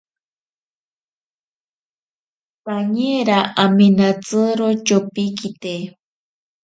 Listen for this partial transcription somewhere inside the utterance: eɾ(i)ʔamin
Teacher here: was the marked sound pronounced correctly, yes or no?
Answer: no